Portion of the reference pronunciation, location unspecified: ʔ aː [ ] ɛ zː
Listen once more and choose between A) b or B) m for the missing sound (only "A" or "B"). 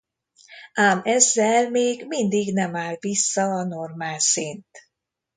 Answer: B